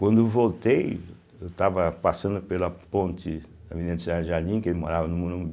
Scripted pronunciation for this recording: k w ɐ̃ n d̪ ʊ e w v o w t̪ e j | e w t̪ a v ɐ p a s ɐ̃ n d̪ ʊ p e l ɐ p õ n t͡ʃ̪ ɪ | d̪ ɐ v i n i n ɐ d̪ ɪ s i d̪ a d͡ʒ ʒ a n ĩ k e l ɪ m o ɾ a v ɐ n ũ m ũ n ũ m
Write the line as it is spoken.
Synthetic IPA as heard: k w ɐ̃ n d̪ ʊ e w v o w t̪ e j | e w t̪ a v ɐ p a s ɐ̃ n d̪ ʊ p e l ɐ p õ n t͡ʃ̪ ɪ | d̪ ɐ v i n i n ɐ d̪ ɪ s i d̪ a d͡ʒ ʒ a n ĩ k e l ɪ m o ɾ a v ɐ n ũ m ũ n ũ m